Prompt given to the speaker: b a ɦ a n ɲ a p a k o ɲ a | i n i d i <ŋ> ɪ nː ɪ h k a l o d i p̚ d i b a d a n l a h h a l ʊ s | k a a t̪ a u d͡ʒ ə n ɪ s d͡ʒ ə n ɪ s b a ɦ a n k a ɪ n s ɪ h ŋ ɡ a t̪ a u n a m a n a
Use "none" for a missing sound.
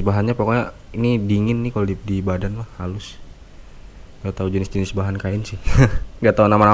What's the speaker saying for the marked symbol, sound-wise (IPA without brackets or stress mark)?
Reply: ŋ